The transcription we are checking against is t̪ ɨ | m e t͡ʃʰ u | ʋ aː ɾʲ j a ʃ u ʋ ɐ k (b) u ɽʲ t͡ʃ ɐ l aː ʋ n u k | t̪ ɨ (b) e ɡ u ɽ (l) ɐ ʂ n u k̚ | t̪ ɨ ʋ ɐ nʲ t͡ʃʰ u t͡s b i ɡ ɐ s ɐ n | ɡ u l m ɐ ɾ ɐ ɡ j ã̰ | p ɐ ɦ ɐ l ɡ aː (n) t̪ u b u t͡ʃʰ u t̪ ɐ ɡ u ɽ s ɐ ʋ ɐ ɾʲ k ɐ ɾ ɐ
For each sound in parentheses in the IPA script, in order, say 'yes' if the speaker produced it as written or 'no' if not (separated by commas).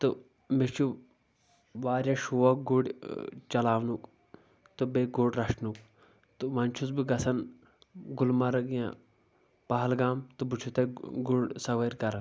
no, yes, no, no